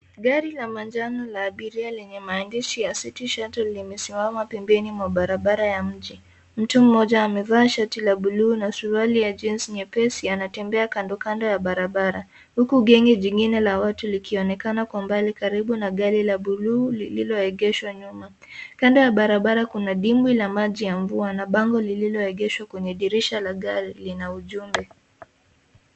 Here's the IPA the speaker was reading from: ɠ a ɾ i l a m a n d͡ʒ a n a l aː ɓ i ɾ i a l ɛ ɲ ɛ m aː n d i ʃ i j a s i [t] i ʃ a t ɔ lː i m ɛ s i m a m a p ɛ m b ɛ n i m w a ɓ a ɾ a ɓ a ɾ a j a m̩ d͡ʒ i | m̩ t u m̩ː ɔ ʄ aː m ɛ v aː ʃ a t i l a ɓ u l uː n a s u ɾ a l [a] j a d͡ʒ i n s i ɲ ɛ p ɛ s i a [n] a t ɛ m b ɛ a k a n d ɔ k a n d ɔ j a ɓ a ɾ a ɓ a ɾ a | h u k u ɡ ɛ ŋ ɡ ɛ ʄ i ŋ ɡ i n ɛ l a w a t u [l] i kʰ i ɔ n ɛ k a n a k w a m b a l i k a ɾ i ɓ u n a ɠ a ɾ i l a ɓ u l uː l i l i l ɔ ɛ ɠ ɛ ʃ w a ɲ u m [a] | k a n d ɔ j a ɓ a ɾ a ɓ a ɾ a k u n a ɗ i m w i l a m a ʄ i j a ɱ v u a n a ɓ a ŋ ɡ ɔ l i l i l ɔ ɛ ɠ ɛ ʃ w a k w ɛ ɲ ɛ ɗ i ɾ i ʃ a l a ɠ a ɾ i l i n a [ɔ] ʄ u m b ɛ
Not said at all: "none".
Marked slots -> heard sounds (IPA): t, i, n, l, a, u

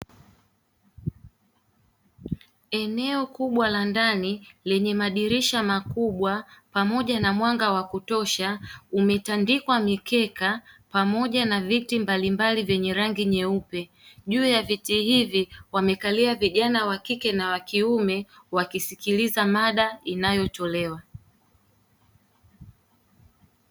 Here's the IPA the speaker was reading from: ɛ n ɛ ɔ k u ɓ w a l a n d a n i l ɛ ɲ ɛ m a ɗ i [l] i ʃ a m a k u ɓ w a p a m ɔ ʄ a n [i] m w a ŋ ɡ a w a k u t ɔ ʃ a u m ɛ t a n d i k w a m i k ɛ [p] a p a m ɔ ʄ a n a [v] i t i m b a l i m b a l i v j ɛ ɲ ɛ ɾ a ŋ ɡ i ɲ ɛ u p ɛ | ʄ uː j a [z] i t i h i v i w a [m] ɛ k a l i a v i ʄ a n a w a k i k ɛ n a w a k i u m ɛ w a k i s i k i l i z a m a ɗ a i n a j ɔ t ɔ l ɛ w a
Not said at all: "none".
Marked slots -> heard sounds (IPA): ɾ, a, k, v, v, m

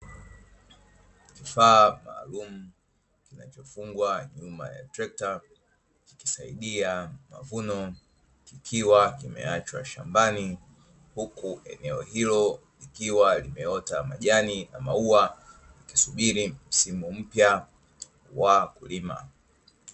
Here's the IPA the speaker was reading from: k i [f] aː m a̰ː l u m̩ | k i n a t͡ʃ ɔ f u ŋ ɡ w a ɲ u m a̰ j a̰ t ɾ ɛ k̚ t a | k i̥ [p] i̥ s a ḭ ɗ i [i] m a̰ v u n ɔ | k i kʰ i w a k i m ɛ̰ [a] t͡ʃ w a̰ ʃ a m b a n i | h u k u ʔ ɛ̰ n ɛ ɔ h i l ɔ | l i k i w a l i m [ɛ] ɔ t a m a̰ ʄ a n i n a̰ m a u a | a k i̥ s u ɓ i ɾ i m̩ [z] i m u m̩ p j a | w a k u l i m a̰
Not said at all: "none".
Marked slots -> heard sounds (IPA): f, k, a, a, ɛ, s

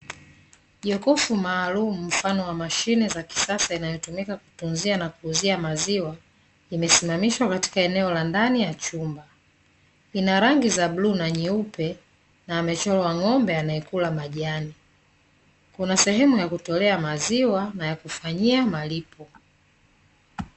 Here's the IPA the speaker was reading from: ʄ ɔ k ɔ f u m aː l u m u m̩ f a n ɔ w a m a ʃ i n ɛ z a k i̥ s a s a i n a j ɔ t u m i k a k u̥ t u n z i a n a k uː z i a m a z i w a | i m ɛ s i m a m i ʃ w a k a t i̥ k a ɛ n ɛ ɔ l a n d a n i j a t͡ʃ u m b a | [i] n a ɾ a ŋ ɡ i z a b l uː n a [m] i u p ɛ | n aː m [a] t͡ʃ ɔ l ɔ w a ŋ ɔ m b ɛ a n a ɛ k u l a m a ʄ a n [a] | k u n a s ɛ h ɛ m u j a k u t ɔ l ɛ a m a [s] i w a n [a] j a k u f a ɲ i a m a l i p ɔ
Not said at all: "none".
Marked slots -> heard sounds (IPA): i, ɲ, ɛ, i, z, a

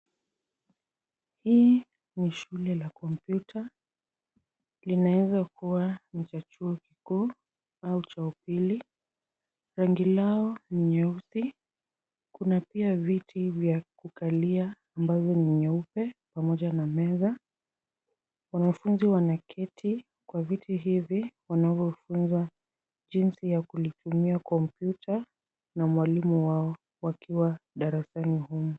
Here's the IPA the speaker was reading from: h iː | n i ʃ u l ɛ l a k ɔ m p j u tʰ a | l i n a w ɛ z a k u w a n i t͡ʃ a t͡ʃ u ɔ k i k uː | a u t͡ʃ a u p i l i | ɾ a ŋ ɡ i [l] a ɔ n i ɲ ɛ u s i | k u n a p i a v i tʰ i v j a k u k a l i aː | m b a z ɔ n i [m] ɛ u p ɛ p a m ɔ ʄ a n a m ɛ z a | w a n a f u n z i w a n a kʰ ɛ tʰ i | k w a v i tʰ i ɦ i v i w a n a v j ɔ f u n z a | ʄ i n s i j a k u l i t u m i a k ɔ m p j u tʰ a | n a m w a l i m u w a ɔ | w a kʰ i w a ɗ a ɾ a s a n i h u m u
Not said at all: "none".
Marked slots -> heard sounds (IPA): l, ɲ

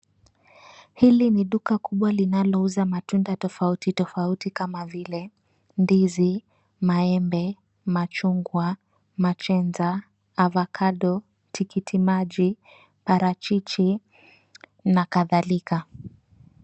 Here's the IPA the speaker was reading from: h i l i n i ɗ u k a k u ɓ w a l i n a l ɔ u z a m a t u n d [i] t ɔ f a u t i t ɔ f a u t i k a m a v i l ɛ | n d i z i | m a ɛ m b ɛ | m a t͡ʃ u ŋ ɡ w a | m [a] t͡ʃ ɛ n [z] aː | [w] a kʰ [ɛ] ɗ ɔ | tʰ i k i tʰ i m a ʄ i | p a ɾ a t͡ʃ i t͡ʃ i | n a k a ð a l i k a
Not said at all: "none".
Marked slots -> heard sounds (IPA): a, a, z, v, a

